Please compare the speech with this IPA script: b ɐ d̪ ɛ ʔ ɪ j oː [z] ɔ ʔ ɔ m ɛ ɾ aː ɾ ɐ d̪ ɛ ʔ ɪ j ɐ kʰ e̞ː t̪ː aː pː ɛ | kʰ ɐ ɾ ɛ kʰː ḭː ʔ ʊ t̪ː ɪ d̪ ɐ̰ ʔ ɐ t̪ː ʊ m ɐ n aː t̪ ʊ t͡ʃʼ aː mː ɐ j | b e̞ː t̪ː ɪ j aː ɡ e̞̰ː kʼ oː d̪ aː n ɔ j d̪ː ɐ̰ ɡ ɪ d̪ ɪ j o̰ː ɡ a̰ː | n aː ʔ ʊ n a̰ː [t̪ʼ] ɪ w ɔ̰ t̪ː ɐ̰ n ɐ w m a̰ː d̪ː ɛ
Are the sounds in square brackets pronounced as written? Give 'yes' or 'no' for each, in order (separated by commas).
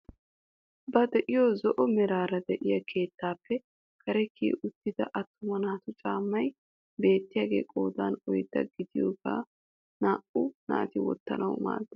yes, no